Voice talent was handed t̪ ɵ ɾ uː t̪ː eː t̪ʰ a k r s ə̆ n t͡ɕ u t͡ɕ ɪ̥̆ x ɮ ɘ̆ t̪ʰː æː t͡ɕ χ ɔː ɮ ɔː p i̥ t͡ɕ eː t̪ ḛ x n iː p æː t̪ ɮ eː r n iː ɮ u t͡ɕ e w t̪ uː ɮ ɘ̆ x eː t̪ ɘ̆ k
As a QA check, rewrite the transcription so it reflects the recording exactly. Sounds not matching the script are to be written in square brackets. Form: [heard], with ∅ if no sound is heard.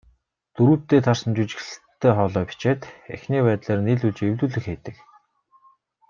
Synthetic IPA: t̪ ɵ ɾ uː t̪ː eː t̪ʰ a [∅] r s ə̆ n t͡ɕ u t͡ɕ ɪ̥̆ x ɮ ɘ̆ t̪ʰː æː [∅] χ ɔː ɮ ɔː p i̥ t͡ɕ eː t̪ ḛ x n iː p æː t̪ ɮ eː r n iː ɮ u t͡ɕ e w t̪ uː ɮ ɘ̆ x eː t̪ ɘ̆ k